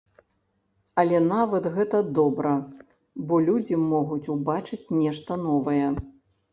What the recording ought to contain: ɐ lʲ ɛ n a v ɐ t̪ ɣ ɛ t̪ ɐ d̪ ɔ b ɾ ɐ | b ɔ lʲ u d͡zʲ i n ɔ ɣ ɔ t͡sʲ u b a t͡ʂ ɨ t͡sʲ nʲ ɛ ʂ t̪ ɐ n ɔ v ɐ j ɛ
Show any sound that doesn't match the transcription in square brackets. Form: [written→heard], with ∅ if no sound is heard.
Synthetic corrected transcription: ɐ lʲ ɛ n a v ɐ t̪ ɣ ɛ t̪ ɐ d̪ ɔ b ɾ ɐ | b ɔ lʲ u d͡zʲ i [n→m] ɔ ɣ [ɔ→u] t͡sʲ u b a t͡ʂ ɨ t͡sʲ nʲ ɛ ʂ t̪ ɐ n ɔ v ɐ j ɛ

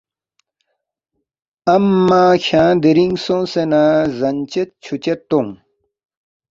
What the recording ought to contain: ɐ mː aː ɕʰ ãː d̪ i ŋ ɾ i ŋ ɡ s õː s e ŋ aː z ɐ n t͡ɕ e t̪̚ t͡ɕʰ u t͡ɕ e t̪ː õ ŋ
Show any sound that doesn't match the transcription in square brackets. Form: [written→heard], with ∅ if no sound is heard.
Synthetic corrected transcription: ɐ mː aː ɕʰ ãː d̪ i [ŋ→∅] ɾ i ŋ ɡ s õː s e [ŋ→n] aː z ɐ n t͡ɕ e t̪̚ t͡ɕʰ u t͡ɕ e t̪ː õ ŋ

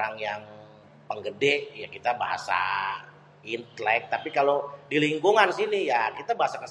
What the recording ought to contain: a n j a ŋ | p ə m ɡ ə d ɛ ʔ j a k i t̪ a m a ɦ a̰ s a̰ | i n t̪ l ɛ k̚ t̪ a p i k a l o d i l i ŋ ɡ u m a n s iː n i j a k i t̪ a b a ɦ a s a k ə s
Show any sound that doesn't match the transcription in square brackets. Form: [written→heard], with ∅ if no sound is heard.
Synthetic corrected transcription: a [n→ŋ] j a ŋ | p ə [m→ŋ] ɡ ə d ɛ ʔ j a k i t̪ a [m→b] a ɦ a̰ s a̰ | i n t̪ l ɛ k̚ t̪ a p i k a l o d i l i ŋ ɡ u [m→ŋ] a n s [iː→i] n i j a k i t̪ a b a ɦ a s a k ə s

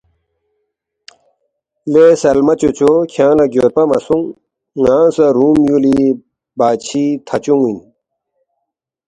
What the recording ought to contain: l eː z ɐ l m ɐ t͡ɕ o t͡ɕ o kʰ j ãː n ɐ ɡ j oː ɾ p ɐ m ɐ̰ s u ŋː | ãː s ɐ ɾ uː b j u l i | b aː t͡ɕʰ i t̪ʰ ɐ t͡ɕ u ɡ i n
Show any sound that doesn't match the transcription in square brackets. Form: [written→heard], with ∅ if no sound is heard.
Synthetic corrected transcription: l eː [z→s] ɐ l m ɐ t͡ɕ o t͡ɕ o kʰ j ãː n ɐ ɡ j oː ɾ p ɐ m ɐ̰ s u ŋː | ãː s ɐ ɾ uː [b→m] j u l i | b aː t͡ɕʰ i t̪ʰ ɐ t͡ɕ u [ɡ→ŋ] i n

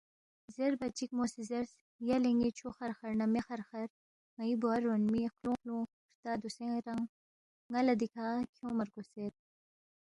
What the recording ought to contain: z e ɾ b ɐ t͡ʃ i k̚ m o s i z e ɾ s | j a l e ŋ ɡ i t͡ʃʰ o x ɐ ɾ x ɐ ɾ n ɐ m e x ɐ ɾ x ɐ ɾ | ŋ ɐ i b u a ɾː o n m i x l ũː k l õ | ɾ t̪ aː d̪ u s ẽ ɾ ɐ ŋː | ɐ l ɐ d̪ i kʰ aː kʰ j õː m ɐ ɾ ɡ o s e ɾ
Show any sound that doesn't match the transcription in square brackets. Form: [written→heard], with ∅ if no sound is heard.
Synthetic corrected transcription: z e ɾ b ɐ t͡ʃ i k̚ m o s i z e ɾ s | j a l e ŋ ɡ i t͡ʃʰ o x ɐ ɾ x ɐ ɾ n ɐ m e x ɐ ɾ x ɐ ɾ | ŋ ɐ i b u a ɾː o n m i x l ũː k l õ | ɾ t̪ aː d̪ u s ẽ ɾ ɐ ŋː | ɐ l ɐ d̪ i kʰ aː kʰ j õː m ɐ ɾ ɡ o s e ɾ

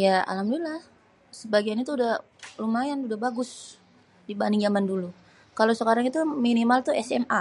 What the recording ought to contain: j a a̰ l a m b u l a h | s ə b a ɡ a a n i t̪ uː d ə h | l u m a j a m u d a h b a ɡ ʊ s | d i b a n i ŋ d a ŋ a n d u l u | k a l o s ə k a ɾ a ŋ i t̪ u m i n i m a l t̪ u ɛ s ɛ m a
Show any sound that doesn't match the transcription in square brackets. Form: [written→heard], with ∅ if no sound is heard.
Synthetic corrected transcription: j a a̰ l a m [b→d] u l a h | s ə b a ɡ [a→i] a n i t̪ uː d [ə→a] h | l u m a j a [m→n] u d a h b a ɡ ʊ s | d i b a n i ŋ [d→d͡ʒ] a [ŋ→m] a n d u l u | k a l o s ə k a ɾ a ŋ i t̪ u m i n i m a l t̪ u ɛ s ɛ m a

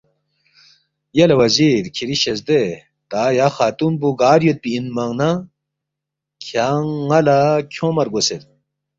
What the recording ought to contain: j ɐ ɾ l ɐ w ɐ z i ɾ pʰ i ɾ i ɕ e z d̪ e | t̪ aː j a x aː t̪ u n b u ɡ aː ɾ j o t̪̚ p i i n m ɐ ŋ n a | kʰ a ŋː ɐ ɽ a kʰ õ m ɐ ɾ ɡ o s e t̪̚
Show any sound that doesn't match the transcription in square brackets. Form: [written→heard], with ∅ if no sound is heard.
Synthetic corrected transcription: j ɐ [ɾ→∅] l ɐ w ɐ z i ɾ [pʰ→kʰ] i ɾ i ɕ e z d̪ e | t̪ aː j a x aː t̪ u n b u ɡ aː ɾ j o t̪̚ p i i n m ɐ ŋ n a | kʰ a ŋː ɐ [ɽ→l] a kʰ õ m ɐ ɾ ɡ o s e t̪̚

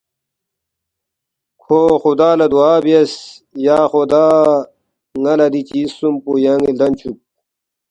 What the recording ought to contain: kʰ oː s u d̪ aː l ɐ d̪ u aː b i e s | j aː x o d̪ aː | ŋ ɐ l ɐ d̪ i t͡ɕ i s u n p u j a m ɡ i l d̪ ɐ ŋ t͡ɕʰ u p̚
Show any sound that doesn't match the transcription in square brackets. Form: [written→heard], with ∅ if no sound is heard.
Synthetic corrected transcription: kʰ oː [s→x] u d̪ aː l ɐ d̪ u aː b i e s | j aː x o d̪ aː | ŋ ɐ l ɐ d̪ i t͡ɕ i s u [n→m] p u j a [m→ŋ] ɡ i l d̪ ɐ [ŋ→n] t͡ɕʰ u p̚

